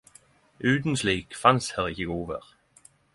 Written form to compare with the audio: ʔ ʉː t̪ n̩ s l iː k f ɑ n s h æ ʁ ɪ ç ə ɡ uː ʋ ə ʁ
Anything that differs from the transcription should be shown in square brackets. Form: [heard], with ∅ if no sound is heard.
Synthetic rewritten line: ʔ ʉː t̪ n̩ s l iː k f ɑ n s h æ ʁ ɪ ç ə ɡ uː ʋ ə ʁ

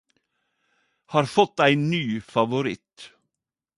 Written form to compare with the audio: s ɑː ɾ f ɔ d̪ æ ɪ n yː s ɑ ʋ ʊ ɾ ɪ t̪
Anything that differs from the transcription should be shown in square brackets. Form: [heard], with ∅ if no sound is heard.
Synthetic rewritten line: [h] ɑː ɾ f ɔ [t̪] æ ɪ n yː [f] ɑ ʋ ʊ ɾ ɪ t̪

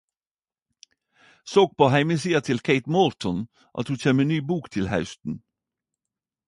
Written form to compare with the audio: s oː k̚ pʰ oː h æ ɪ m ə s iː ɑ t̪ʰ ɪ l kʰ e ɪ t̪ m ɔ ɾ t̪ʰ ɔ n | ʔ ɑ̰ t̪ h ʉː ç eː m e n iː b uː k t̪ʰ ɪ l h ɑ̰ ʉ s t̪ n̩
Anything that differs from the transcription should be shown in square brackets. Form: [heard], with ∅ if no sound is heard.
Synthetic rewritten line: s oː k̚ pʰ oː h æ ɪ m ə s iː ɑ t̪ʰ ɪ l kʰ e ɪ t̪ m ɔ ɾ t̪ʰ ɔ n | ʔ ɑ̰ t̪ h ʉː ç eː m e n [yː] b uː k t̪ʰ ɪ l h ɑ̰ ʉ s t̪ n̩

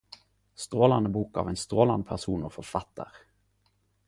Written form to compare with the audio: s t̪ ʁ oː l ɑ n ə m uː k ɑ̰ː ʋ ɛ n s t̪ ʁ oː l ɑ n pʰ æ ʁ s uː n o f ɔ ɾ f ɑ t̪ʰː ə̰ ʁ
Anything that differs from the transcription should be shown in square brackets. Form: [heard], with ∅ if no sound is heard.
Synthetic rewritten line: s t̪ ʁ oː l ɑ n ə [b] uː k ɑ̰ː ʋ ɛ n s t̪ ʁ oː l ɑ n pʰ æ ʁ s uː n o f ɔ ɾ f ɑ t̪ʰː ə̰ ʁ

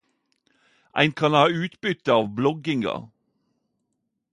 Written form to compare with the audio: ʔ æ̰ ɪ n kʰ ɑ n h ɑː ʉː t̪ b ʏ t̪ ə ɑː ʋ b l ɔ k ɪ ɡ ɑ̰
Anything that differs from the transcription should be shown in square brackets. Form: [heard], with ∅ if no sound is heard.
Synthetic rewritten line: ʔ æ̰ ɪ n kʰ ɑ n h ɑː ʉː t̪ b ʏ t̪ ə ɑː ʋ b l ɔ [ɡ] ɪ [ŋ] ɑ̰

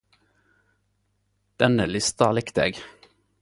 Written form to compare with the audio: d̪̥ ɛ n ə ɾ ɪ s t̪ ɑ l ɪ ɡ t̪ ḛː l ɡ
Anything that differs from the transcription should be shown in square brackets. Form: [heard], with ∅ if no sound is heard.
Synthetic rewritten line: d̪̥ ɛ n ə [l] ɪ s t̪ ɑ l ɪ [k] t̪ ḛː [∅] ɡ

